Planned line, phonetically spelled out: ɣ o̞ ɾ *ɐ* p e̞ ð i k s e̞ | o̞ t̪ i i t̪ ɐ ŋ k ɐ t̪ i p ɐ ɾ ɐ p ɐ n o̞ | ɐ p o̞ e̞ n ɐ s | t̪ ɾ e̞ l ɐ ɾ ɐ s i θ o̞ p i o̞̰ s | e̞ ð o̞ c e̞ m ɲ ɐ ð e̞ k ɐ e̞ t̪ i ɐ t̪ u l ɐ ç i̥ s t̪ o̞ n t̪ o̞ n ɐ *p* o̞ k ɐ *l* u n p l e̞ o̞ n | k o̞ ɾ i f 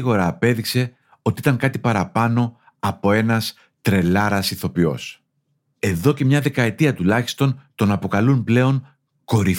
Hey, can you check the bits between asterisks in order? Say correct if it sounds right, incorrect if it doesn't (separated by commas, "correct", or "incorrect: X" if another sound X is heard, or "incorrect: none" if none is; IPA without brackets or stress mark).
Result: incorrect: ɐː, correct, correct